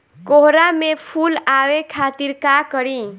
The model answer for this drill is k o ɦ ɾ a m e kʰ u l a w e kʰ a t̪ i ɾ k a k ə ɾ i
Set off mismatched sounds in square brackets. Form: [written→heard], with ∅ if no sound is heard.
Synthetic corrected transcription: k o ɦ ɾ a m e [kʰ→pʰ] u l a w e kʰ a t̪ i ɾ k a k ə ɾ i